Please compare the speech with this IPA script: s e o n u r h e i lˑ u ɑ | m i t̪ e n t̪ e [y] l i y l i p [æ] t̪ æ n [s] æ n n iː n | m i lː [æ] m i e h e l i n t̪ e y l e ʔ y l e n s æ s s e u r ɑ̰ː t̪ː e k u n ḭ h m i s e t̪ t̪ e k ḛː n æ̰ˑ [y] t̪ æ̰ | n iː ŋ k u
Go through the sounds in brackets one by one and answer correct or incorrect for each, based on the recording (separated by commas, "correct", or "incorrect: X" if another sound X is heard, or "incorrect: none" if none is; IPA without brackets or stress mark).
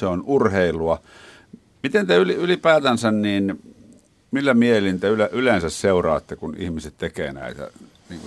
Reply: correct, incorrect: æː, correct, correct, incorrect: i